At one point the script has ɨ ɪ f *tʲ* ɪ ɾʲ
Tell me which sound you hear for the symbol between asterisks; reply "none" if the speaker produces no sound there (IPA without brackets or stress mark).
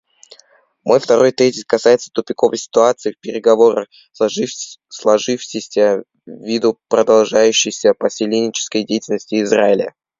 pʲ